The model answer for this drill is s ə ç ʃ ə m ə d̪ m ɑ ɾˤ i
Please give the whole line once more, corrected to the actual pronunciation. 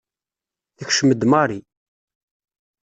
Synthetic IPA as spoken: θ ə ç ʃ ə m ə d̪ m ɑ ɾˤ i